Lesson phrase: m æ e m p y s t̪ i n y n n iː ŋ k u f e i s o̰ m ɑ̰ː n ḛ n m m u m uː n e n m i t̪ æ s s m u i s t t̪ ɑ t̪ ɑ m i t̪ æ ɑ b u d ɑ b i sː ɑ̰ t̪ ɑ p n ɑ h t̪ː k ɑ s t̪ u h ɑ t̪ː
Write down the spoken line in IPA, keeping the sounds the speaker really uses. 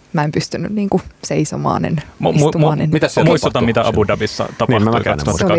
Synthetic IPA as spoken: m æ e m p y s t̪ y n y n n iː ŋ k u s e i s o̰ m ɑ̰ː n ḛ n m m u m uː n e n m i t̪ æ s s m u i s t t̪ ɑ t̪ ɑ m i t̪ æ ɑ b u d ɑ b i sː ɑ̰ t̪ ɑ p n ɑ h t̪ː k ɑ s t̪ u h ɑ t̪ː